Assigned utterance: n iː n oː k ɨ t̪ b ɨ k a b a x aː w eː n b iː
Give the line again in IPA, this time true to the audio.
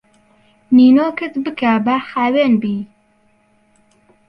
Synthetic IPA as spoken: n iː n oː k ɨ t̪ b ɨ k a b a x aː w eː n b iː